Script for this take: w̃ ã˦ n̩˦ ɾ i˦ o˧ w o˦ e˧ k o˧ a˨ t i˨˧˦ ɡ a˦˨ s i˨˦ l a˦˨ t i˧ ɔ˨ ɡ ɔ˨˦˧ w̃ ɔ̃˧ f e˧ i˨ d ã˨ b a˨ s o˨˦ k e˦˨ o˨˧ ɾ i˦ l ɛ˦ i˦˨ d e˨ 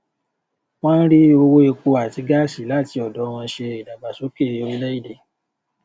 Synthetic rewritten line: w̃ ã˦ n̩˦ ɾ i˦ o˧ w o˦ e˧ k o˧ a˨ t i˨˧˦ ɡ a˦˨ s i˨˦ l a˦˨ t i˧ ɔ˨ d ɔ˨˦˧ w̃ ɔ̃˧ ʃ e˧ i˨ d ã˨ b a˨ s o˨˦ k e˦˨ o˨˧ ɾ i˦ l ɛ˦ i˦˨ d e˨